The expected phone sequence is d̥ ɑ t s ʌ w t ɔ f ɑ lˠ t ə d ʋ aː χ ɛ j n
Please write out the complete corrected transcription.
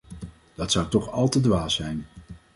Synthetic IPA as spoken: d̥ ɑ t s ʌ w t ɔ χ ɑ lˠ t ə d ʋ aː s ɛ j n